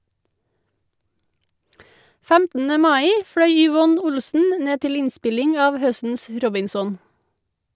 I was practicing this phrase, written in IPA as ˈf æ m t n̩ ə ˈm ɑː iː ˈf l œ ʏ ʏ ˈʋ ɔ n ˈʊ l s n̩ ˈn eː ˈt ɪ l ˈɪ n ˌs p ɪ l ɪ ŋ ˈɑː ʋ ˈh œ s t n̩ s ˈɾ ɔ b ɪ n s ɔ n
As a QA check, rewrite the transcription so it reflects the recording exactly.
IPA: ˈf æ m t n̩ ə ˈm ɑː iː ˈf ɽ œ ʏ ʏ ˈʋ ɔ n ˈʊ l s n̩ ˈn eː ˈt ɪ l ˈɪ n ˌs p ɪ l ɪ ŋ ˈɑː ʋ ˈh œ s t n̩ s ˈɾ ɔ b ɪ n s ɔ n